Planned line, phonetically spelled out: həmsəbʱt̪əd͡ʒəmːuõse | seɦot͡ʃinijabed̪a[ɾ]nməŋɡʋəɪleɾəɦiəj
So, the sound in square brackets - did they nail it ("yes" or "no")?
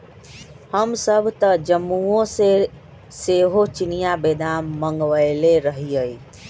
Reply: no